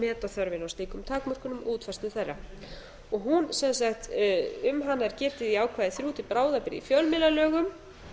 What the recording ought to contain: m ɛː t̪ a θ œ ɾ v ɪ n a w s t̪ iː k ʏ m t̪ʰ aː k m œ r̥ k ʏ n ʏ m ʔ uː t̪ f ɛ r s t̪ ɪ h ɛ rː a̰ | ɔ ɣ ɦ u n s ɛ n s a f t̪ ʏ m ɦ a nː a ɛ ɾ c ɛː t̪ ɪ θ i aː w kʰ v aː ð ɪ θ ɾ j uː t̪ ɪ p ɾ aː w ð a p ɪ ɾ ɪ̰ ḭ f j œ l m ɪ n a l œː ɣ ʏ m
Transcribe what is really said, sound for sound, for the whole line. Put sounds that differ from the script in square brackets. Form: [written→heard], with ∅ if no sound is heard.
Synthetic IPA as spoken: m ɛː t̪ a θ œ ɾ v ɪ n a w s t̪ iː k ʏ m t̪ʰ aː k m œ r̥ k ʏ n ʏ m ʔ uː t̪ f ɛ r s t̪ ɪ [h→θ] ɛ rː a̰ | ɔ ɣ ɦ u n s ɛ n s a [f→x] t̪ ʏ m ɦ a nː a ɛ ɾ c ɛː t̪ ɪ [θ→ð] i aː w kʰ v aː ð ɪ θ ɾ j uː t̪ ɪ p ɾ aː w ð a p ɪ ɾ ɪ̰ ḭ f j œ l m ɪ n a l œː ɣ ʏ m